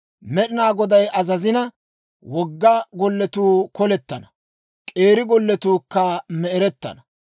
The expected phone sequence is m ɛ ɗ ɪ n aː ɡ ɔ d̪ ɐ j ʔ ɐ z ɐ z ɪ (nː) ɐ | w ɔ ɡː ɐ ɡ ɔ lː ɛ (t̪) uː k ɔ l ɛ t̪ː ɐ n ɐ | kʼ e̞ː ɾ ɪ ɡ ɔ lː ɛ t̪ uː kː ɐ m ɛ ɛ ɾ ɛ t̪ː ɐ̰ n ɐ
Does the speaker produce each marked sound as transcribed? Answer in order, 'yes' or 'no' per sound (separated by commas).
no, yes